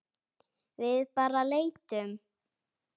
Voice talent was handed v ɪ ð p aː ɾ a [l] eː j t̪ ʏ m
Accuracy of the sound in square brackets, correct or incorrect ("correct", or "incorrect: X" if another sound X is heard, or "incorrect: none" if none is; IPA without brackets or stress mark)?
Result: correct